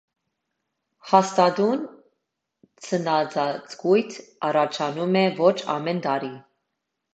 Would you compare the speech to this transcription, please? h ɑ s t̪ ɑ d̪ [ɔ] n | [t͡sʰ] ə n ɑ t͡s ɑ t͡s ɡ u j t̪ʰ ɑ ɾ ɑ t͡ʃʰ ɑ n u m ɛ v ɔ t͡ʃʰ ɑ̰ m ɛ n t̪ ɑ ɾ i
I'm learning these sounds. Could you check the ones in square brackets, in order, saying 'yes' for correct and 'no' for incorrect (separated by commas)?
no, yes